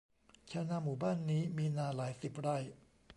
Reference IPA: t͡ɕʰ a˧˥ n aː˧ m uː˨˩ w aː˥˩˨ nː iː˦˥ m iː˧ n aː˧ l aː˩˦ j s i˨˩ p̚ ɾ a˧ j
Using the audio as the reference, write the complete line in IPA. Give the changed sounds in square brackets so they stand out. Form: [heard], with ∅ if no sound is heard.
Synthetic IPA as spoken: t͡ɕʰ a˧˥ n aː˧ m uː˨˩ [b] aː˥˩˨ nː iː˦˥ m iː˧ n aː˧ l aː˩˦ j s i˨˩ p̚ ɾ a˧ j